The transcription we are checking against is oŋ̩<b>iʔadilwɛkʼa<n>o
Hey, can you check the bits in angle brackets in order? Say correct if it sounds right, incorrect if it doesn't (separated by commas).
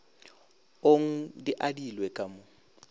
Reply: incorrect, incorrect